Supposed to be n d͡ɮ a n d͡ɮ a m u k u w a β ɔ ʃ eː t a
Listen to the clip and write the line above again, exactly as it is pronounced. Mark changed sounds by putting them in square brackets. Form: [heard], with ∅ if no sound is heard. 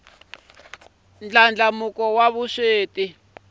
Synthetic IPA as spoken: n d͡ɮ a n d͡ɮ a m u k [ɔ] w a β [u] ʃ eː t [i]

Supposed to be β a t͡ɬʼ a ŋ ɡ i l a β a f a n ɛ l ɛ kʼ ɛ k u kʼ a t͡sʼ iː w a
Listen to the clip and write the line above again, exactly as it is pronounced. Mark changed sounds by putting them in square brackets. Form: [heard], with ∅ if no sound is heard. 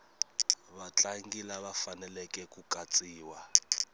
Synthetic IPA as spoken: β a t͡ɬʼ a ŋ ɡ i l a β a f a n ɛ l ɛ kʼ ɛ k u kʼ a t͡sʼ iː w a

